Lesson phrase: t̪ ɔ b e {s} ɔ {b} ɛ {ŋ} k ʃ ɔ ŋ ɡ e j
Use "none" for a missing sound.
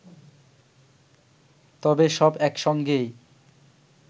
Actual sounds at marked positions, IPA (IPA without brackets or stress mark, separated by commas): ʃ, b, none